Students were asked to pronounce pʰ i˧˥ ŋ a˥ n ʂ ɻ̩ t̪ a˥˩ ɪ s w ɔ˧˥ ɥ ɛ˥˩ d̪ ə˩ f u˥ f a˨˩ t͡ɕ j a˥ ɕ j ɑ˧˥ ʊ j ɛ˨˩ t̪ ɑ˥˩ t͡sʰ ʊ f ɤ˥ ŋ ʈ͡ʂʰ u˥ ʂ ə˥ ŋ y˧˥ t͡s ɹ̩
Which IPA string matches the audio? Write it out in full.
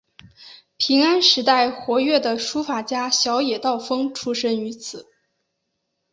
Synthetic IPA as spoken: pʰ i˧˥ ŋ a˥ n ʂ ɻ̩ t̪ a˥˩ ɪ x w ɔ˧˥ ɥ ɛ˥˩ d̪ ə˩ ʂ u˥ f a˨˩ t͡ɕ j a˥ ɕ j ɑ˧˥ ʊ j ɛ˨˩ t̪ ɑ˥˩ ʊ f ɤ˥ ŋ ʈ͡ʂʰ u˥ ʂ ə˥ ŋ y˧˥ t͡sʰ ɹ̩